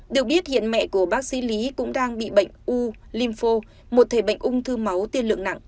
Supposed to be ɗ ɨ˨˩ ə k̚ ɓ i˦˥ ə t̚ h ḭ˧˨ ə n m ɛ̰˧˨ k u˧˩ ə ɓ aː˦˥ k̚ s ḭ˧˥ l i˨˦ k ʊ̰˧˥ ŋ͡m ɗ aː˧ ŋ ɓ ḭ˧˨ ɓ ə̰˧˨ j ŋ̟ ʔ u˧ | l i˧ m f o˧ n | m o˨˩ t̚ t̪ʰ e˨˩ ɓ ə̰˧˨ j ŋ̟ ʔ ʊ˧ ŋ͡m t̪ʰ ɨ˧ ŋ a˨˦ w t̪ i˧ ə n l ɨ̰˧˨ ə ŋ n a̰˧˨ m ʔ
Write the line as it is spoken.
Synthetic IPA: ɗ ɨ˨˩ ə k̚ ɓ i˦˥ ə t̚ h ḭ˧˨ ə n m ɛ̰˧˨ k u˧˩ ə ɓ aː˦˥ k̚ s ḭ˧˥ l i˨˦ k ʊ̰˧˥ ŋ͡m ɗ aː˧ ŋ ɓ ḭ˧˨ ɓ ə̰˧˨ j ŋ̟ ʔ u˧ | l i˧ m f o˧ | m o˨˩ t̚ t̪ʰ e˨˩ ɓ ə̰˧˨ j ŋ̟ ʔ ʊ˧ ŋ͡m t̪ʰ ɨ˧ m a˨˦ w t̪ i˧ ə n l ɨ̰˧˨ ə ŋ n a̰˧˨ ŋ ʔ